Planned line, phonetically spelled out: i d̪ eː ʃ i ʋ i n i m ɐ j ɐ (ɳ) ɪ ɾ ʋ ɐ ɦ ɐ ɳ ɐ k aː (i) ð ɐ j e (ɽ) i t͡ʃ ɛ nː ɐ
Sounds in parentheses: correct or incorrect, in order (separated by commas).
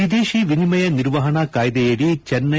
incorrect, incorrect, correct